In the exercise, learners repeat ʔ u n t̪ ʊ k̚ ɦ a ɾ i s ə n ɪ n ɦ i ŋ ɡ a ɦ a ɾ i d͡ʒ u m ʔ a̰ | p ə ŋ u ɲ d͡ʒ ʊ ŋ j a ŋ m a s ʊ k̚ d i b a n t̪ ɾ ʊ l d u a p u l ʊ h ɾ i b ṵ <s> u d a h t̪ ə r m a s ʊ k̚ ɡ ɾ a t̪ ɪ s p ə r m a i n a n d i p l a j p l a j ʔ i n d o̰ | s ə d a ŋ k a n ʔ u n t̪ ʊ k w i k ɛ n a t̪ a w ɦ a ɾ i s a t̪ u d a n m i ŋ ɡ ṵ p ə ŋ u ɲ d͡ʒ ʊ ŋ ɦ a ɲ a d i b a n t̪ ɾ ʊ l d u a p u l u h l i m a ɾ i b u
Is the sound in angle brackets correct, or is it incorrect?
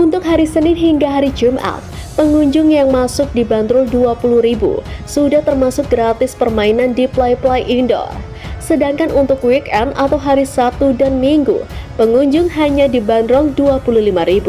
correct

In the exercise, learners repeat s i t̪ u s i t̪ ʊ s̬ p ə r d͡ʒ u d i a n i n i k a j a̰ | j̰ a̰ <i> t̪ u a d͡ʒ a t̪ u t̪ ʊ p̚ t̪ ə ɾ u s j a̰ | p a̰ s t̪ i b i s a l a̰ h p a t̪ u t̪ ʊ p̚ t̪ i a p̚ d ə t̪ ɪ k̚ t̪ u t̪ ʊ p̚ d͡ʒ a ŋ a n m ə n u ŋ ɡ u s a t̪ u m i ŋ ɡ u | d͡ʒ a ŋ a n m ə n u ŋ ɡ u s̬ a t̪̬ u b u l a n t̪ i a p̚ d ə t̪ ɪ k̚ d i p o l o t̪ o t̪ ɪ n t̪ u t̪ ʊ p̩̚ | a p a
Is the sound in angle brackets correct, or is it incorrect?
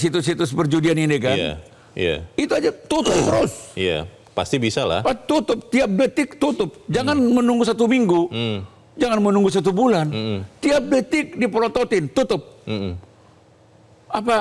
correct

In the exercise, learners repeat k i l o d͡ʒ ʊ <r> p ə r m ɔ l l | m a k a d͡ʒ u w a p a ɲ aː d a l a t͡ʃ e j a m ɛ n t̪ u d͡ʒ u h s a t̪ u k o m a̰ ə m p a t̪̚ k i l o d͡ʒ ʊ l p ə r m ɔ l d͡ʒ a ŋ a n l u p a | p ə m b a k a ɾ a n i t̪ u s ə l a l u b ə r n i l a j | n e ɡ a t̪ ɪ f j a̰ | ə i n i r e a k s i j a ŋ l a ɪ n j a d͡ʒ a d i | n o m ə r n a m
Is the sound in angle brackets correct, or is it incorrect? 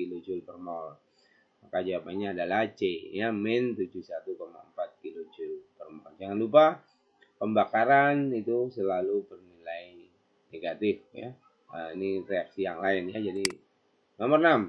incorrect: l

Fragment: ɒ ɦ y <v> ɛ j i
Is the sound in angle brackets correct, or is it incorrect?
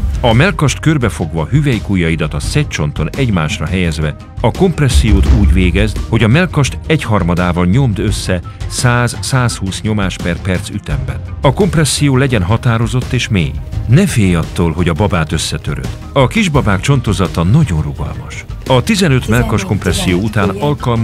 correct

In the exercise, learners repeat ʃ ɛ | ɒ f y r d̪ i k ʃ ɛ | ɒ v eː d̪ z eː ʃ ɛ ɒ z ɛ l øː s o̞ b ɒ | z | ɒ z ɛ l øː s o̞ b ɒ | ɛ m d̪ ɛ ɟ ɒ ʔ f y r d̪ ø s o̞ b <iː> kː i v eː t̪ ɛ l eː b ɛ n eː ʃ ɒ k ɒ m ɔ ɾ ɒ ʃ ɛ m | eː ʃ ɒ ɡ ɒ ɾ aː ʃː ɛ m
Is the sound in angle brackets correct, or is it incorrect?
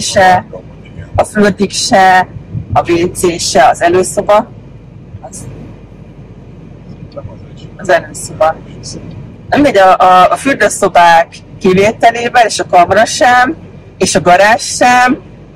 incorrect: aː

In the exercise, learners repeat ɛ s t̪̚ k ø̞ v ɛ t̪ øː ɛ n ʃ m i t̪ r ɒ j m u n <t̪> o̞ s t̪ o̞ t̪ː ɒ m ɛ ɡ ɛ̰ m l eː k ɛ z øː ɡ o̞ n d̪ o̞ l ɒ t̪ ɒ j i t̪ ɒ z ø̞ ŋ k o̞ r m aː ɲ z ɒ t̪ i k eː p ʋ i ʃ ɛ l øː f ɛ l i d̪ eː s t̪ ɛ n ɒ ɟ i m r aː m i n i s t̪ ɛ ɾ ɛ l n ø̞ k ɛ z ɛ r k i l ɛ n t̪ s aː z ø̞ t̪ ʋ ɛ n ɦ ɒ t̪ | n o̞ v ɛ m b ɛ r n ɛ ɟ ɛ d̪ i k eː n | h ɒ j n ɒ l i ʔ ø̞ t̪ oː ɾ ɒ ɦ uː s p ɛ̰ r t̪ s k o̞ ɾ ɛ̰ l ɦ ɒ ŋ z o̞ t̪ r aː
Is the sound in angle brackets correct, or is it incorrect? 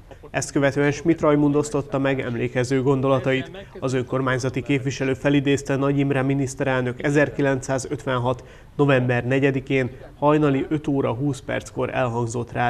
incorrect: d̪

